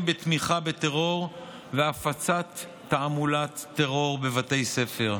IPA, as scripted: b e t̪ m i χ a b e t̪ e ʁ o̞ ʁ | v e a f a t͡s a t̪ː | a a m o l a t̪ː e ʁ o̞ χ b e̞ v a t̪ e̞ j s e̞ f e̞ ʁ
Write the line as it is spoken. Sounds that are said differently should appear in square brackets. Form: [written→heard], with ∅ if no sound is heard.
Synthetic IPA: b e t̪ m i χ a b e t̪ e ʁ o̞ ʁ | v e a f a t͡s a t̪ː | a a m [o→u] l a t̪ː e ʁ o̞ [χ→ʁ] b e̞ v a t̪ e̞ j s e̞ f e̞ ʁ

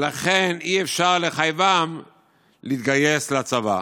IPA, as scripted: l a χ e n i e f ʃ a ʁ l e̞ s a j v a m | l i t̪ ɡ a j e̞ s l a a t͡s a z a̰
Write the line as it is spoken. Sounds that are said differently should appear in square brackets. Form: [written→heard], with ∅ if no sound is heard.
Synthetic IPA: l a χ e n i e f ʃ a ʁ l e̞ [s→χ] a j v a m | l i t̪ ɡ a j e̞ s l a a t͡s a [z→v] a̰

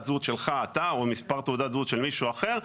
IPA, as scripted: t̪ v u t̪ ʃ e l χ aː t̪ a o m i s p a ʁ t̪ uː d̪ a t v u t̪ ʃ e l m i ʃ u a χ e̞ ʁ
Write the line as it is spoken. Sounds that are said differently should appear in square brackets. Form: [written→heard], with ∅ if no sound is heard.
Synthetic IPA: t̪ [v→z] u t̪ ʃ e l χ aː t̪ a o m i s p a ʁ t̪ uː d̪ a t [v→z] u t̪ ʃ e l m i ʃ u a χ e̞ ʁ

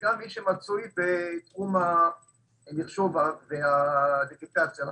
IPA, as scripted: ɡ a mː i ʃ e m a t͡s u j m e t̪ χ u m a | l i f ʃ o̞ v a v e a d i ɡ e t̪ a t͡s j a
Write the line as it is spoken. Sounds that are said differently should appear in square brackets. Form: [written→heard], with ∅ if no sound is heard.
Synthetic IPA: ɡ a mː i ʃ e m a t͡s u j [m→b] e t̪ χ u m a | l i [f→χ] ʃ o̞ v a v e a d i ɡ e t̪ a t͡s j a

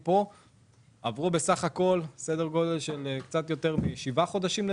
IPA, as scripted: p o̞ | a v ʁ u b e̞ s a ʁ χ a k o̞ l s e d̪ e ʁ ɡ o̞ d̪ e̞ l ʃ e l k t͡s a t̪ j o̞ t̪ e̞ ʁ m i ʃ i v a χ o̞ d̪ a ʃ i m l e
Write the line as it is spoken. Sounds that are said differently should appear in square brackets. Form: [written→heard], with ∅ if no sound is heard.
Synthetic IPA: p o̞ | a v ʁ u b e̞ s a [ʁ→∅] χ a k o̞ l s e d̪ e ʁ ɡ o̞ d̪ e̞ l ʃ e l k t͡s a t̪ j o̞ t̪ e̞ ʁ m i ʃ i v a χ o̞ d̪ a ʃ i m l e

